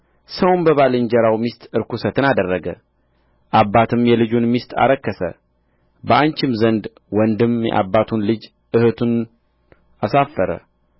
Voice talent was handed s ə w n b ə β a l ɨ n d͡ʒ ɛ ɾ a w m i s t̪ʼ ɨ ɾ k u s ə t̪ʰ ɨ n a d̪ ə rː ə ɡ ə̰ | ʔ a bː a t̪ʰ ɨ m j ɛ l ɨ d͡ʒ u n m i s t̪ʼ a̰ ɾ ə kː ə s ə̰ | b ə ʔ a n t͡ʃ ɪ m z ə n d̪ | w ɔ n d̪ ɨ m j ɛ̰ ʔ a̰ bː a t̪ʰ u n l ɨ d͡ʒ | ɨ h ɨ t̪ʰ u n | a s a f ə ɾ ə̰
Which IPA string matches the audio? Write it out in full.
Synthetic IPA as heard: s ə w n b ə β a l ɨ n d͡ʒ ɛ ɾ a w m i s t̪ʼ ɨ ɾ k u s ə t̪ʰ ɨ n a d̪ ə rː ə ɡ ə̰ | ʔ a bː a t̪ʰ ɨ m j ɛ l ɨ d͡ʒ u n m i s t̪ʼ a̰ ɾ ə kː ə s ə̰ | b ə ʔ a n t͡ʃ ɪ m z ə n d̪ | w ɔ n d̪ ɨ m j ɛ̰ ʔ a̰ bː a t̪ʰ u n l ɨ d͡ʒ | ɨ h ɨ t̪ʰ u n | a s a f ə ɾ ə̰